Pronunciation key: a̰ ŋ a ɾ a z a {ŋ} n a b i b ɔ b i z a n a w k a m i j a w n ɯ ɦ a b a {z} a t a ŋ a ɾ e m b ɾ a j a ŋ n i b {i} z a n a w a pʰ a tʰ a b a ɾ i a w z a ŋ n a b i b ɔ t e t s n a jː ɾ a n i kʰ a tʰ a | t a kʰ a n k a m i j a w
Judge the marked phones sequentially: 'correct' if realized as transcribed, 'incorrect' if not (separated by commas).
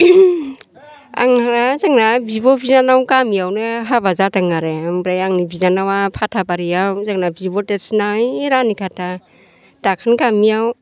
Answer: correct, correct, correct